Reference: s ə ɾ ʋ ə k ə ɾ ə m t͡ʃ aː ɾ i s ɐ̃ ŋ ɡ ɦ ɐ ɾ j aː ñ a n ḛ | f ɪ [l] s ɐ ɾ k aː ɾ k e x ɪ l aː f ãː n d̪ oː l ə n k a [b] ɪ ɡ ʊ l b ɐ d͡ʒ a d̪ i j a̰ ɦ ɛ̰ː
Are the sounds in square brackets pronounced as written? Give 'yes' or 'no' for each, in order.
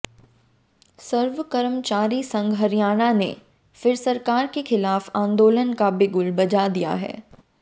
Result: no, yes

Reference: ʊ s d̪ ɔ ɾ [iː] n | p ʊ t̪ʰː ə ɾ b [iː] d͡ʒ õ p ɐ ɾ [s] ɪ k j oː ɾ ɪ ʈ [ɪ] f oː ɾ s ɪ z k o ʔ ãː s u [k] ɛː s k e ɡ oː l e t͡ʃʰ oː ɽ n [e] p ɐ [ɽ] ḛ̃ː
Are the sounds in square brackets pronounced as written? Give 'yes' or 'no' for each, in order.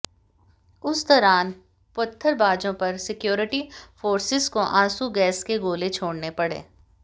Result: no, no, yes, no, no, yes, yes

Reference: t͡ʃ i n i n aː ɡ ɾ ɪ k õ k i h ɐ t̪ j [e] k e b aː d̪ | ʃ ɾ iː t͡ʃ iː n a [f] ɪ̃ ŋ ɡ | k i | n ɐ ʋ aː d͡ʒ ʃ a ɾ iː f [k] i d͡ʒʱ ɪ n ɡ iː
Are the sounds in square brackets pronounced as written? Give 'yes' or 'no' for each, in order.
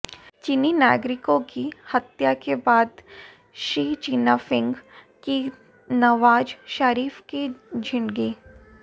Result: no, yes, yes

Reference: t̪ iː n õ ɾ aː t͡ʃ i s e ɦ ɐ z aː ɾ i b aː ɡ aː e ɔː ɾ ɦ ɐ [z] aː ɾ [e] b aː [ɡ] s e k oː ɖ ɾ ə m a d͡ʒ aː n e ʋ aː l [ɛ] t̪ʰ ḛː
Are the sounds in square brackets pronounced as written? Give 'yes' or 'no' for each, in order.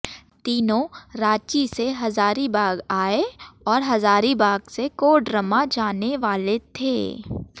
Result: yes, no, yes, no

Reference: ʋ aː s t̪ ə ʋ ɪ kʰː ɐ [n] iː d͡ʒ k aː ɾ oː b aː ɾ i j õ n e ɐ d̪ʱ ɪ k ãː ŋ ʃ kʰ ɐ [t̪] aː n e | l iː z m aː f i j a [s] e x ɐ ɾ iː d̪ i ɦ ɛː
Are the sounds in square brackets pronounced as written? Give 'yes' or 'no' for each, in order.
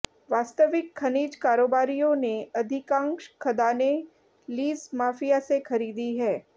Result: yes, no, yes

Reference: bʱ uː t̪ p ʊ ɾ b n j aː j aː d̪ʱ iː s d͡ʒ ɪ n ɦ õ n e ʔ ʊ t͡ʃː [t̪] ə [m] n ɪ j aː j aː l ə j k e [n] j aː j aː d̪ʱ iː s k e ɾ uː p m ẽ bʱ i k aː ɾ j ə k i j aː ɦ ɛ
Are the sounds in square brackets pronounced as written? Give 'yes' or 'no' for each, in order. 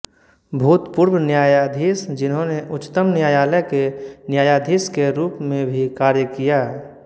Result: yes, yes, yes

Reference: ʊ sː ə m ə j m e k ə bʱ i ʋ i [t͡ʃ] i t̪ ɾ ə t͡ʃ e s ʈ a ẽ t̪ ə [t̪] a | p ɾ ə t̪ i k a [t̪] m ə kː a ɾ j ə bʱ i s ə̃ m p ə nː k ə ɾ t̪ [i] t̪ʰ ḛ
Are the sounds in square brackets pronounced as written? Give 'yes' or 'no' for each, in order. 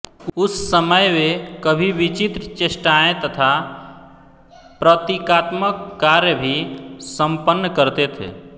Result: yes, no, yes, no

